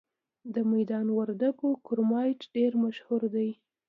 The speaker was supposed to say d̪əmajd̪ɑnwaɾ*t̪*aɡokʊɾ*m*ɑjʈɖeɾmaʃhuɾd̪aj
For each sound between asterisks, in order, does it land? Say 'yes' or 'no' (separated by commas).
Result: no, yes